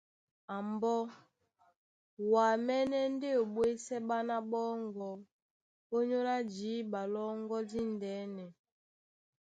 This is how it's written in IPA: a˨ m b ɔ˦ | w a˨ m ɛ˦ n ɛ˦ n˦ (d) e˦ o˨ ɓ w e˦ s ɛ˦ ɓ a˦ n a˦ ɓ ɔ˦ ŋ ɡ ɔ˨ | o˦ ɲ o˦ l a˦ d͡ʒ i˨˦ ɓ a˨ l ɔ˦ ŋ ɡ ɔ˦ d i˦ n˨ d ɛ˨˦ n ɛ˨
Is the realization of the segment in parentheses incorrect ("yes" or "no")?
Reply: no